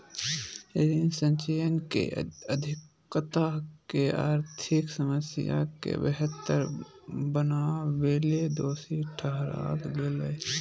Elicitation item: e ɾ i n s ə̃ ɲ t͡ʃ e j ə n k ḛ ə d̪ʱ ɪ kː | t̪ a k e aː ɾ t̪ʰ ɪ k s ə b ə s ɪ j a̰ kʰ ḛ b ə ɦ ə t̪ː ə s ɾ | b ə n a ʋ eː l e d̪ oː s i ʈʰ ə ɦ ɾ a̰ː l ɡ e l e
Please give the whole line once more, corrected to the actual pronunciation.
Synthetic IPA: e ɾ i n s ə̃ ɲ t͡ʃ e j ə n k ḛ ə d̪ʱ ɪ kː | t̪ a k e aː ɾ t̪ʰ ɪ k s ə m ə s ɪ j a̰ k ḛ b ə ɦ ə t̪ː ə ɾ | b ə n a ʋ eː l e d̪ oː s i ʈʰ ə ɦ ɾ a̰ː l ɡ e l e

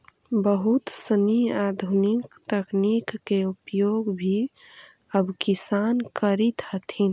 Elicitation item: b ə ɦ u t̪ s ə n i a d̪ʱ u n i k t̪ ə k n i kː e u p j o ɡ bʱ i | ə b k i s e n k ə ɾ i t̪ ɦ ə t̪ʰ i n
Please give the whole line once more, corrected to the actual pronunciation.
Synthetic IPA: b ə ɦ u t̪ s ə n i a d̪ʱ u n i k t̪ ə k n i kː e u p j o ɡ bʱ i | ə b k i s a n k ə ɾ i t̪ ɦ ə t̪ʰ i n

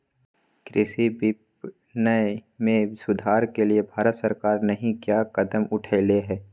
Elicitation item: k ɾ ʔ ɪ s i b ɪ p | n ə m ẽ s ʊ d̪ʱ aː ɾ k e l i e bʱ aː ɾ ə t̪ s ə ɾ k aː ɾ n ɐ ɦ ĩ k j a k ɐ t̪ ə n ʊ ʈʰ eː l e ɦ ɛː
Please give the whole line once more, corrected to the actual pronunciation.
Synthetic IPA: k ɾ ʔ ɪ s i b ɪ p | n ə m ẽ s ʊ d̪ʱ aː ɾ k e l i e bʱ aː ɾ ə t̪ s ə ɾ k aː ɾ n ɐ ɦ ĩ k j a k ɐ d̪ ə m ʊ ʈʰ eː l e ɦ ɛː

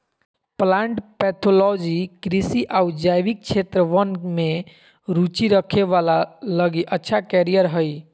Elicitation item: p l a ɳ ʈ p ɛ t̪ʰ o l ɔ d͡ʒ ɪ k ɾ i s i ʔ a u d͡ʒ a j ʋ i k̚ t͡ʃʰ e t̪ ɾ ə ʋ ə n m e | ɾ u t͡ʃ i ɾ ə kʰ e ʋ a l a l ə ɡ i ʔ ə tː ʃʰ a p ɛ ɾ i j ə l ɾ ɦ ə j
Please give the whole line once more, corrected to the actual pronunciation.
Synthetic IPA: p l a ɳ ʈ p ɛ t̪ʰ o l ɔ d͡ʒ i k ɾ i s i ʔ a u d͡ʒ a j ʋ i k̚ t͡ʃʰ e t̪ ɾ ə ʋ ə n m e | ɾ u t͡ʃ i ɾ ə kʰ e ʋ a l a l ə ɡ i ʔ ə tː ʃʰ a k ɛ ɾ i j ə ɾ ɦ ə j

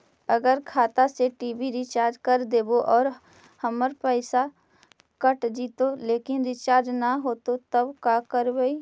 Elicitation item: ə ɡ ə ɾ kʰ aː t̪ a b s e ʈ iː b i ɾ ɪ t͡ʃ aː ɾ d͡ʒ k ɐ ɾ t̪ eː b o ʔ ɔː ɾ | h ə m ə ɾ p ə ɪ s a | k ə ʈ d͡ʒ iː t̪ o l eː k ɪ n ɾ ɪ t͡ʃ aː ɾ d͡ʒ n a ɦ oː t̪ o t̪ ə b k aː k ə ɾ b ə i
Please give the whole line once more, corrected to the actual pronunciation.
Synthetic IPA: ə ɡ ə ɾ kʰ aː t̪ a s e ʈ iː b i ɾ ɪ t͡ʃ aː ɾ d͡ʒ k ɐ ɾ d̪ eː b o ʔ ɔː ɾ | h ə m ə ɾ p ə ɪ s a | k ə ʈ d͡ʒ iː t̪ o l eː k ɪ n ɾ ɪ t͡ʃ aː ɾ d͡ʒ n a ɦ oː t̪ o t̪ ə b k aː k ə ɾ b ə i

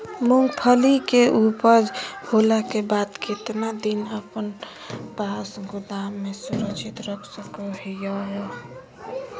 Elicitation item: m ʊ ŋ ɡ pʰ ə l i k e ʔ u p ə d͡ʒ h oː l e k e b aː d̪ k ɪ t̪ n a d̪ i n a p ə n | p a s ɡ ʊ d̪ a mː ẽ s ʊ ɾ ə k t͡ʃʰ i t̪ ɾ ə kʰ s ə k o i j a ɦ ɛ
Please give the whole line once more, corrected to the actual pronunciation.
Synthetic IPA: m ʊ ŋ ɡ pʰ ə l i k e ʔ u p ə d͡ʒ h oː l a k e b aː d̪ k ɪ t̪ n a d̪ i n ə p ə n | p a s ɡ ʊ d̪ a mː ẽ s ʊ ɾ ə k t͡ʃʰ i t̪ ɾ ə kʰ s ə k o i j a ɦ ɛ

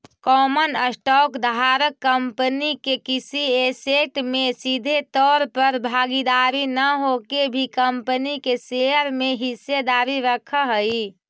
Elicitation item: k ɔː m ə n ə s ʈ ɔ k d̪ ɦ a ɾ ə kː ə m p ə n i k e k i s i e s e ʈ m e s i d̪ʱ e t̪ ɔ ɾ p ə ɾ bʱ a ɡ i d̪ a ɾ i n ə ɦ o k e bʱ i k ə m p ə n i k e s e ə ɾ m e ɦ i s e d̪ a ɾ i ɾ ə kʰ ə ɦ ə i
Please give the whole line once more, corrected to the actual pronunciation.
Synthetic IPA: k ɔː m ə n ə s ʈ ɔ k d̪ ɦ a ɾ ə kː ə m p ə n i k e k i s i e s e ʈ m e s i d̪ʱ e t̪ ɔ ɾ p ə ɾ bʱ a ɡ i d̪ a ɾ i n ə ɦ o k e bʱ i k ə m p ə n i k e s e ə ɾ m e ɦ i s e d̪ a ɾ i ɾ ə kʰ ə ɦ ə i

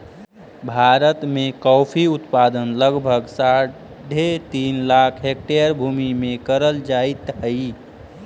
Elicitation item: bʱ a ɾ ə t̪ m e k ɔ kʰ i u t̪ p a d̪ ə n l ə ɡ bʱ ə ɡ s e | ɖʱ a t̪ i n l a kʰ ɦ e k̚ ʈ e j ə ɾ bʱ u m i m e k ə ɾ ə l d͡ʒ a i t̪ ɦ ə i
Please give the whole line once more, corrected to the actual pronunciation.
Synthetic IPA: bʱ a ɾ ə t̪ m e k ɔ pʰ i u t̪ p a d̪ ə n l ə ɡ bʱ ə ɡ s a | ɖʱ e t̪ i n l a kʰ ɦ e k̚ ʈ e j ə ɾ bʱ u m i m e k ə ɾ ə l d͡ʒ a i t̪ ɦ ə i

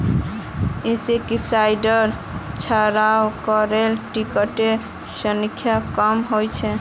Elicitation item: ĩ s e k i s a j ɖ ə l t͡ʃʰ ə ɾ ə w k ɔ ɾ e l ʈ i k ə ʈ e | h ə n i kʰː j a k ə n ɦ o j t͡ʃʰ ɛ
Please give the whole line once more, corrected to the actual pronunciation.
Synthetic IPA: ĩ s e k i s a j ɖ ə ɾ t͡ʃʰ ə ɾ a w k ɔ ɾ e l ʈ i k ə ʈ e | s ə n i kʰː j a k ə m ɦ o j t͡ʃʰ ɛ

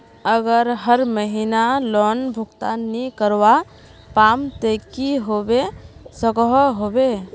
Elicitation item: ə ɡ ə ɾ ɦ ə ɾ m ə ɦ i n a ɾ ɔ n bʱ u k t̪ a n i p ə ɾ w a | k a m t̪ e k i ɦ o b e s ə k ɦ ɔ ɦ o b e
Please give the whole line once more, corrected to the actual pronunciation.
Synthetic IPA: ə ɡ ə ɾ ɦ ə ɾ m ə ɦ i n a l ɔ n bʱ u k t̪ a n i k ə ɾ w a | p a m t̪ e k i ɦ o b e s ə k ɦ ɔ ɦ o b e

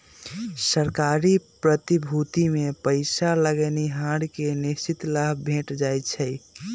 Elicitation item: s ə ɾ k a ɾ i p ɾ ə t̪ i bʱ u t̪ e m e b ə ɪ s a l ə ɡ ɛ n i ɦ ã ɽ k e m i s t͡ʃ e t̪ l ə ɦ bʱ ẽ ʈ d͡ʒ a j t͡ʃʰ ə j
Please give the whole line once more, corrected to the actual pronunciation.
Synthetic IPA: s ə ɾ k a ɾ i p ɾ ə t̪ i bʱ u t̪ i m e p ə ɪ s a l ə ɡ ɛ n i ɦ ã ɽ k e n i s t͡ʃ i t̪ l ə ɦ bʱ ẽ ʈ d͡ʒ a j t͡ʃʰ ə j

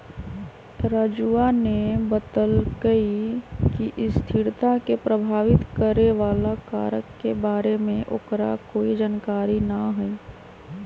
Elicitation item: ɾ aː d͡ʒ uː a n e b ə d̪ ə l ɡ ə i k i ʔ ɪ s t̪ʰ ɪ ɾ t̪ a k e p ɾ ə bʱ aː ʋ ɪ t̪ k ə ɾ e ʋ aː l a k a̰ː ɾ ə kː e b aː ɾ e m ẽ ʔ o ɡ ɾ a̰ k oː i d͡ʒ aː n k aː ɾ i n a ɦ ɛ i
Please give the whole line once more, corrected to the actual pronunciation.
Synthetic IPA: ɾ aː d͡ʒ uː a n e b ə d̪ ə l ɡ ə i k i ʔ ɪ s t̪ʰ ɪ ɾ t̪ a k e p ɾ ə bʱ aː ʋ ɪ t̪ k ə ɾ e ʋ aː l a k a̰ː ɾ ə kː e b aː ɾ e m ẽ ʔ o k ɾ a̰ k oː i d͡ʒ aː n k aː ɾ i n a ɦ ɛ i

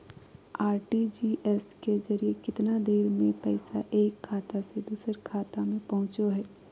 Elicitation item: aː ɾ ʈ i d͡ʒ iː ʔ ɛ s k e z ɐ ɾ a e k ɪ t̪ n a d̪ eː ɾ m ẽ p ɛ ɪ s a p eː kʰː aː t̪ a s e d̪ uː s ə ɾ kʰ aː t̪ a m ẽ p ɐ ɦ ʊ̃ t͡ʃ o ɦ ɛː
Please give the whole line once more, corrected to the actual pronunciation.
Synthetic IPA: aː ɾ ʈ i d͡ʒ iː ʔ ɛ s k e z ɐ ɾ i e k ɪ t̪ n a d̪ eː ɾ m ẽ p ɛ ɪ s a ʔ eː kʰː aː t̪ a s e d̪ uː s ə ɾ kʰ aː t̪ a m ẽ p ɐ ɦ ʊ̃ t͡ʃ o ɦ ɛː

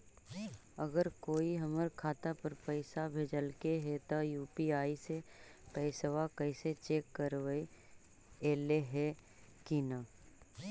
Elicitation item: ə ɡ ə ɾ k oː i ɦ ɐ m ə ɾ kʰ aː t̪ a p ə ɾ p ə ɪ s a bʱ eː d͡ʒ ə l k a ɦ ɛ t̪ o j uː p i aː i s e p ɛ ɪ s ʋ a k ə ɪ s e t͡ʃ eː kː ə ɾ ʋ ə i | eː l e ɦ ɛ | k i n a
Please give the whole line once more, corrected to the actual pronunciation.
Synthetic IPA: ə ɡ ə ɾ k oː i ɦ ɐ m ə ɾ kʰ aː t̪ a p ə ɾ p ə ɪ s a bʱ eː d͡ʒ ə l k e ɦ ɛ t̪ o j uː p i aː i s e p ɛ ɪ s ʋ a k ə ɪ s e t͡ʃ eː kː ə ɾ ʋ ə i | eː l e ɦ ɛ | k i n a

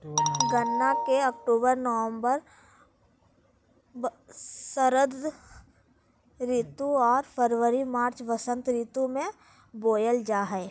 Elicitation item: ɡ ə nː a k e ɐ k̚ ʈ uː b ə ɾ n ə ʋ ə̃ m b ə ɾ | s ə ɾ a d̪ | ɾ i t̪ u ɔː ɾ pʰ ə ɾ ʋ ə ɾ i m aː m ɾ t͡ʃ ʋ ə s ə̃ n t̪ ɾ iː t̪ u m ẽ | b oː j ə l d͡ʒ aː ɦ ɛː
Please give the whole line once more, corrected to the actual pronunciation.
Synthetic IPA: ɡ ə nː a k e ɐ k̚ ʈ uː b ə ɾ n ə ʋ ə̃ m b ə ɾ | s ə ɾ ə d̪ | ɾ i t̪ u ɔː ɾ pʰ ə ɾ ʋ ə ɾ i m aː ɾ t͡ʃ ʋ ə s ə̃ n t̪ ɾ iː t̪ u m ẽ | b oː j ə l d͡ʒ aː ɦ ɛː

